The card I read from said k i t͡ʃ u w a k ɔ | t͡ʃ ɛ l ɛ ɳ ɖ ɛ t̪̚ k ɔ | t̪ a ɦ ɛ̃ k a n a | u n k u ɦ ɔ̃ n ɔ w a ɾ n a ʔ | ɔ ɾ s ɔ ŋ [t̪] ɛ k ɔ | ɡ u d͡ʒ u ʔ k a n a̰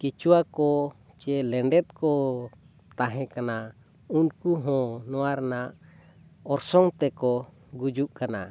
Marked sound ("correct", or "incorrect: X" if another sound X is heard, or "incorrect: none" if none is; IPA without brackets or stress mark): correct